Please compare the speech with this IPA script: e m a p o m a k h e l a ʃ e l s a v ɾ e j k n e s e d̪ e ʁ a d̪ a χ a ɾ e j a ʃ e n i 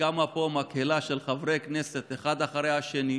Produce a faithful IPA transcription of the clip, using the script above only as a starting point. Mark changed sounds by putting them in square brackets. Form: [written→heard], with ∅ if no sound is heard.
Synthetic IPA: [e→a] m a p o m a k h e l a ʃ e l [s→χ] a v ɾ e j k n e s e [d̪→t̪] e [ʁ→χ] a d̪ a χ a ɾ e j a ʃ e n i